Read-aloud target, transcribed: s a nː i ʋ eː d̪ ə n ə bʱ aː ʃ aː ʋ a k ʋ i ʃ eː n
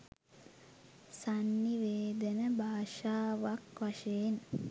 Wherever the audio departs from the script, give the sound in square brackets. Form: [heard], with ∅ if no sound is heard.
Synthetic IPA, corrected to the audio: s a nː i ʋ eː d̪ ə n ə bʱ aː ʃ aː ʋ a k ʋ [a] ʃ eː n